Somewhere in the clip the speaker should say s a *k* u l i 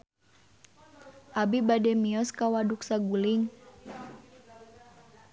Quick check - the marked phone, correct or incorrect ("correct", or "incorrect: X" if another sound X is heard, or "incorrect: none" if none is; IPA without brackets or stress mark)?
incorrect: ɡ